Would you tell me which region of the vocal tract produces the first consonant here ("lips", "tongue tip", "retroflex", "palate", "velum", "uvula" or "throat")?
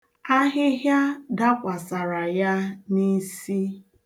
throat